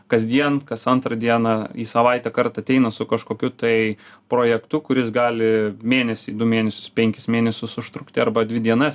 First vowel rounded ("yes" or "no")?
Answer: no